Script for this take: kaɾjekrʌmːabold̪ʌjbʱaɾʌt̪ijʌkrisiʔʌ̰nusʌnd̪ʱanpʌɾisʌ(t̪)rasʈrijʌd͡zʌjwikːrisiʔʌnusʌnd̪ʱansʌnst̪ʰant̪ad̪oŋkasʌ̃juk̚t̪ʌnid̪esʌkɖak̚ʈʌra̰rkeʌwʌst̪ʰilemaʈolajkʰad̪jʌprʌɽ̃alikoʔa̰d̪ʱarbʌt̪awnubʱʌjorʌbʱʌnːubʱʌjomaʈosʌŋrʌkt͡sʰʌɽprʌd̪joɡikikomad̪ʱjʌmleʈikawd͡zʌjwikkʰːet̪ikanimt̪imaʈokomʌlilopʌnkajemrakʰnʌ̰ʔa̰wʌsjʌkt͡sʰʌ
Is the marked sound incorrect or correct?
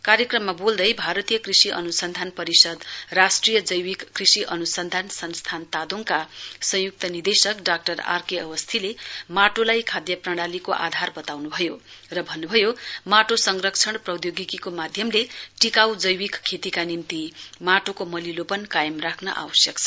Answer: incorrect